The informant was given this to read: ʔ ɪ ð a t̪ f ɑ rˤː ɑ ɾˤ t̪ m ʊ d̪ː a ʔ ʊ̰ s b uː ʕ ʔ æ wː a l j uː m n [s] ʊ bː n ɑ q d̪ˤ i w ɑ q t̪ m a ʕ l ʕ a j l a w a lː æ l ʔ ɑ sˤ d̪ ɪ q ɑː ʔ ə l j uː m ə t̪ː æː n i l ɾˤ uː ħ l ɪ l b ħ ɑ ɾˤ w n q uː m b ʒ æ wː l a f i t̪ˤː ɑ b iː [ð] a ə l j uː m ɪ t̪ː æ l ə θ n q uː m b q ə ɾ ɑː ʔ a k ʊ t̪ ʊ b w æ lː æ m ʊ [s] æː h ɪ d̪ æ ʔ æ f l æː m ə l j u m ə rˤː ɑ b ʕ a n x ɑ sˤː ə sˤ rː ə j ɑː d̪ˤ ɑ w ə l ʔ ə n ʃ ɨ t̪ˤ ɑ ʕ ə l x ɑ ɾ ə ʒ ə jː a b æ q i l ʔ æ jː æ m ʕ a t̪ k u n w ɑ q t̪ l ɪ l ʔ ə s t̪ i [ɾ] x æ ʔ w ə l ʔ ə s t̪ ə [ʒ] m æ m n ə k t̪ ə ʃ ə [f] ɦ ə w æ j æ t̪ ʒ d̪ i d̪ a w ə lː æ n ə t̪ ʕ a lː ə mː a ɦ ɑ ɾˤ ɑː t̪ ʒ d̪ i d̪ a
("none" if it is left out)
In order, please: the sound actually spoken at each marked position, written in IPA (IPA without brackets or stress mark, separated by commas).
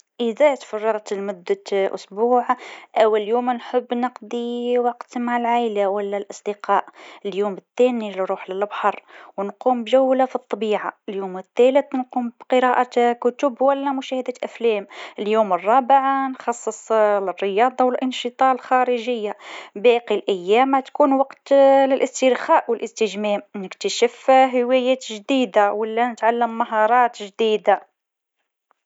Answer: ħ, ʕ, ʃ, ɾ, ʒ, f